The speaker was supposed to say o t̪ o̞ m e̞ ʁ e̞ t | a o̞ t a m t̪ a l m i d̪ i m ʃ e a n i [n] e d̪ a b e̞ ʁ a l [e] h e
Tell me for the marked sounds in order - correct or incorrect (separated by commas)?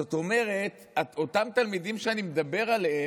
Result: incorrect, correct